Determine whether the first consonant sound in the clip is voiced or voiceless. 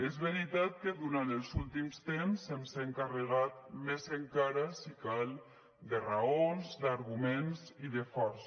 voiced